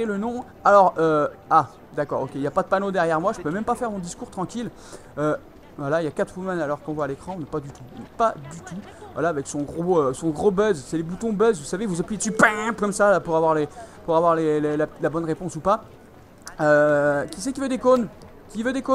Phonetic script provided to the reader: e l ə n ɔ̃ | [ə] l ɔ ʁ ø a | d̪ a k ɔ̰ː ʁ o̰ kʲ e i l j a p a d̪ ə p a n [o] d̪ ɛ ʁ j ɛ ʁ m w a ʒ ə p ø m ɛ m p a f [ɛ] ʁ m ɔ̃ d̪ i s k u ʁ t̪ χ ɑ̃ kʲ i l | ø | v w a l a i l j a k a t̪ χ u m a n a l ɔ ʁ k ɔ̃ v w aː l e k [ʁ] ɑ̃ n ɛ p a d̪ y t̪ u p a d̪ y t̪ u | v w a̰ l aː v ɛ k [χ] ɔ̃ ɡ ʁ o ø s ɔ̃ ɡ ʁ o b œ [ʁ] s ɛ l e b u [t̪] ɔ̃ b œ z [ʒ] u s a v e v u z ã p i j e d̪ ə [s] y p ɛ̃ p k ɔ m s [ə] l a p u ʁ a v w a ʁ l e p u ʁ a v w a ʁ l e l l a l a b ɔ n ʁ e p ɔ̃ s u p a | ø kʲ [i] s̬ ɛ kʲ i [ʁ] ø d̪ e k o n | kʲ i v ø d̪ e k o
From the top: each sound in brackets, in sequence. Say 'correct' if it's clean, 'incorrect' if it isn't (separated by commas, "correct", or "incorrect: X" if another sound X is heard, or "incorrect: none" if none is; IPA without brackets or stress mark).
incorrect: a, correct, correct, incorrect: χ, incorrect: s, incorrect: z, correct, incorrect: v, correct, incorrect: a, correct, incorrect: v